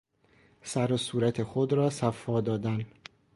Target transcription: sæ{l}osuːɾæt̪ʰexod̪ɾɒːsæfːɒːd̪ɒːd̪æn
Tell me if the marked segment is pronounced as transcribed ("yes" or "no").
no